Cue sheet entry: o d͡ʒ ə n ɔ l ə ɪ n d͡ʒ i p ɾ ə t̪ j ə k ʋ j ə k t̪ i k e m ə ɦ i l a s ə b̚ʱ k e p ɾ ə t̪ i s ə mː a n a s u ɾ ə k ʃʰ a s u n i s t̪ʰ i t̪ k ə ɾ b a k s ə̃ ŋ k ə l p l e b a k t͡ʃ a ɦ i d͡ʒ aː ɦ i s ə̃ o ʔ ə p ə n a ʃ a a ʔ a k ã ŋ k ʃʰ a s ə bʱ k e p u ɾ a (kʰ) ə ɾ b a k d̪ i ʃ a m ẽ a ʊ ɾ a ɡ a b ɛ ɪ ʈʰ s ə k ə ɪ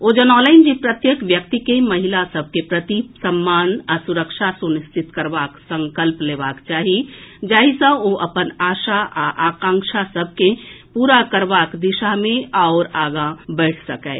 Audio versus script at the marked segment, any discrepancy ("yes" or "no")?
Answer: yes